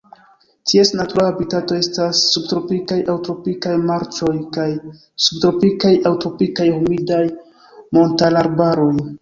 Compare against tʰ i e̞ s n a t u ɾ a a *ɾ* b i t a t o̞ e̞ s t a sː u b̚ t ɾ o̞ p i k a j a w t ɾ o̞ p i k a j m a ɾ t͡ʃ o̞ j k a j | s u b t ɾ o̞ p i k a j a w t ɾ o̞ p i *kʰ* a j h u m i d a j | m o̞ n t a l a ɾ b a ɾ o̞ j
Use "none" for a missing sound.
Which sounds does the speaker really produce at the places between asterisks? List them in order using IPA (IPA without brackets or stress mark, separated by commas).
none, k